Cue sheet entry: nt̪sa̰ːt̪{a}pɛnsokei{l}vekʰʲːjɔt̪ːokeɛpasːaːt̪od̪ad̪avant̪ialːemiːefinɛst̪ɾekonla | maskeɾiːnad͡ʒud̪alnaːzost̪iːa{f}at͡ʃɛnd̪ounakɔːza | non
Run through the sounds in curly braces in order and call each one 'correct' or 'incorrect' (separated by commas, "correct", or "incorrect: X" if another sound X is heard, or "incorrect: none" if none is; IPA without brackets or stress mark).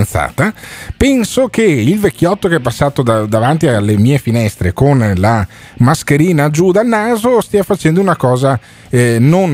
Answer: correct, correct, correct